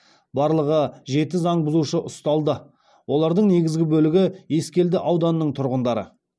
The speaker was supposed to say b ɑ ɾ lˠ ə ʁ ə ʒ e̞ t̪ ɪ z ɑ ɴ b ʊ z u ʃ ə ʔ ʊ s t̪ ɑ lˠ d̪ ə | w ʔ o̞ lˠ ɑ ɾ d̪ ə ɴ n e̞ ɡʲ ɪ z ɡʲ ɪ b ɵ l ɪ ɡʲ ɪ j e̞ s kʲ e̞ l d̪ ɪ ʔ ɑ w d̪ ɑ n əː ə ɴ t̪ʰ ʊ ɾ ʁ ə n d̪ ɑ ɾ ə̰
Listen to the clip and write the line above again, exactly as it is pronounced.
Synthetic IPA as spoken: b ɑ ɾ lˠ ə ʁ ə ʒ e̞ t̪ ɪ z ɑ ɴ b ʊ z u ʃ ə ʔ ʊ s t̪ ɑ lˠ d̪ ə | w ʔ o̞ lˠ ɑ ɾ d̪ ə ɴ n e̞ ɡʲ ɪ z ɡʲ ɪ b ɵ l ɪ ɡʲ ɪ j e̞ s kʲ e̞ l d̪ ɪ ʔ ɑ w d̪ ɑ n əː ə ɴ t̪ʰ ʊ ɾ ʁ ə n d̪ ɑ ɾ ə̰